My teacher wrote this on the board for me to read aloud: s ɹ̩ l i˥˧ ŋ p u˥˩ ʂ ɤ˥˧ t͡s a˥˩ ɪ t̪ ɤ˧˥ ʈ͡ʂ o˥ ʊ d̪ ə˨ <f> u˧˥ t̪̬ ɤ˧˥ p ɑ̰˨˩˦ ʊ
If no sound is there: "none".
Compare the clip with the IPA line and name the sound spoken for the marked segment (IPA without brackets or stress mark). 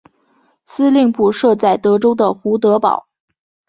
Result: x